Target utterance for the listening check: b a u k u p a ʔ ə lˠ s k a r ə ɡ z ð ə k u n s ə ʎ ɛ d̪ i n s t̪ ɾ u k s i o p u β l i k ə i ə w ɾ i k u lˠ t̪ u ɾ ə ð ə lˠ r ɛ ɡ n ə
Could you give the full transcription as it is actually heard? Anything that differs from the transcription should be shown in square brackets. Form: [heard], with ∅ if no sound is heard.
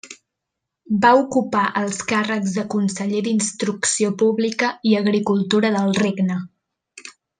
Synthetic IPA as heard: b a u k u p a ʔ ə lˠ s k a r ə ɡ z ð ə k u n s ə ʎ [e] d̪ i n s t̪ ɾ u k s i o p u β l i k ə i ə [ɣ] ɾ i k u lˠ t̪ u ɾ ə ð ə lˠ r [e] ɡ n ə